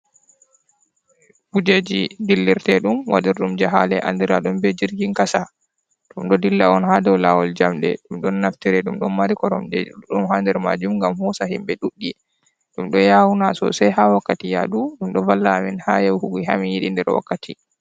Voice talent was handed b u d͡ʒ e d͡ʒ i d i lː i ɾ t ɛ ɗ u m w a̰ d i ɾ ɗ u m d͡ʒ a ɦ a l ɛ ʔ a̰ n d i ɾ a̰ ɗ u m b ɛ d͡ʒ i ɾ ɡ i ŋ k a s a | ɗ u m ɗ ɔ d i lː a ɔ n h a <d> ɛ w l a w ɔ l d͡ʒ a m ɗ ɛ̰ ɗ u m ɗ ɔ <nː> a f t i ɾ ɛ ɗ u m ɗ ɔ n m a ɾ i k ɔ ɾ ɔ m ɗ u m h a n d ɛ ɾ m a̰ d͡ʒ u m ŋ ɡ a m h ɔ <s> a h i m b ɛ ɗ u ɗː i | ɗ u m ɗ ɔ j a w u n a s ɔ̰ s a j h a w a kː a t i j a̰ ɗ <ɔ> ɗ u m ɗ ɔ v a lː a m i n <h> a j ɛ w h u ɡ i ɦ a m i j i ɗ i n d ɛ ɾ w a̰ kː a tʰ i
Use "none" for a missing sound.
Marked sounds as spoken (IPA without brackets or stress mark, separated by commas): d, nː, s, u, h